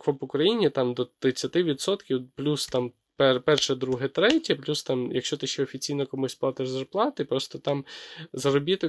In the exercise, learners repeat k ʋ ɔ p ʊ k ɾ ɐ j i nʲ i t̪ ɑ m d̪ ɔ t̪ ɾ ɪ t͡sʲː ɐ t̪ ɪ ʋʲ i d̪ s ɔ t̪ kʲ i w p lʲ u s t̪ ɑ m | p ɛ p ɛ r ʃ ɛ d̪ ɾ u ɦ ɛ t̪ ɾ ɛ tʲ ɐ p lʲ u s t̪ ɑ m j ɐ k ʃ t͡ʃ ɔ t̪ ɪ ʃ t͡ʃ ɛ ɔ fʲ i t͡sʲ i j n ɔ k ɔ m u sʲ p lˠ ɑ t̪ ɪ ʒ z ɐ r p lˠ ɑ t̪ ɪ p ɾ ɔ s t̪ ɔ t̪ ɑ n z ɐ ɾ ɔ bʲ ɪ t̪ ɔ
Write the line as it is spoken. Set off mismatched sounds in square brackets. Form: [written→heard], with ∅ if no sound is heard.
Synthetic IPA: k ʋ ɔ p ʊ k ɾ ɐ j i nʲ i t̪ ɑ m d̪ ɔ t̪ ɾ ɪ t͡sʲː ɐ t̪ ɪ ʋʲ i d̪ s ɔ t̪ kʲ i w p lʲ u s t̪ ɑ m | p ɛ p ɛ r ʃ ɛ d̪ ɾ u ɦ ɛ t̪ ɾ ɛ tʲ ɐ p lʲ u s t̪ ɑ m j ɐ k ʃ t͡ʃ ɔ t̪ ɪ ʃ t͡ʃ ɛ ɔ fʲ i t͡sʲ i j n ɔ k ɔ m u sʲ p lˠ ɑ t̪ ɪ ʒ z ɐ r p lˠ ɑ t̪ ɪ p ɾ ɔ s t̪ ɔ t̪ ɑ [n→m] z ɐ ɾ ɔ bʲ [ɪ→i] t̪ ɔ